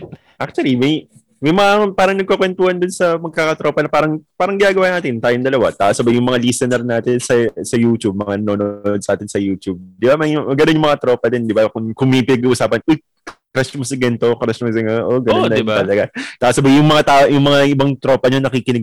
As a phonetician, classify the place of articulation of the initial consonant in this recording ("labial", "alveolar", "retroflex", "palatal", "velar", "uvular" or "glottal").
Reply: glottal